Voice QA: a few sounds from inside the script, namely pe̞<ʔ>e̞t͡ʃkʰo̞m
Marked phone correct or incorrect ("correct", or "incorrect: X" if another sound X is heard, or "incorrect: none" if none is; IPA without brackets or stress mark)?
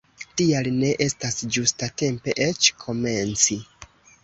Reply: correct